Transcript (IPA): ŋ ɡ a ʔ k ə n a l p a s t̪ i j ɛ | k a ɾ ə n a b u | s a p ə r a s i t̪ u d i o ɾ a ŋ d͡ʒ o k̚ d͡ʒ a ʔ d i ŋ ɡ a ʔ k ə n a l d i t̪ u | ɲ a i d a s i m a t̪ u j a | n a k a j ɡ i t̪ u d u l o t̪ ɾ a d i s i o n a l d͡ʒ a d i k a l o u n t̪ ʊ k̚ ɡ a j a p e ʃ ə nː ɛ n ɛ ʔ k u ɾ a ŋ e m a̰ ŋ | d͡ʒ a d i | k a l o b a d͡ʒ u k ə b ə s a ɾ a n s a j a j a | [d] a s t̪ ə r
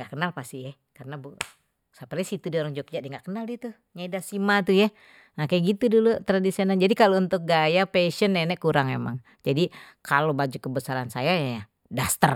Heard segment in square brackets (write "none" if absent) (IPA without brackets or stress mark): d